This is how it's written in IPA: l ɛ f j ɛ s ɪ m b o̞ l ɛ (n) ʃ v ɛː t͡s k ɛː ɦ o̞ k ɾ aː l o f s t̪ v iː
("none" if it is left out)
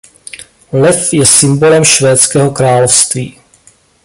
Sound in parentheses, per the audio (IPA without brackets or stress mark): m